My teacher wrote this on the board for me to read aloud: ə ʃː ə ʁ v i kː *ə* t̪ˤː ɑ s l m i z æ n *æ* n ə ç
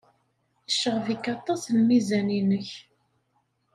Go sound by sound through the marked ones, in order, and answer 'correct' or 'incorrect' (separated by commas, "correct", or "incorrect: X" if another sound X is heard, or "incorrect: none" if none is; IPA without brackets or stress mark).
incorrect: ɑ, incorrect: i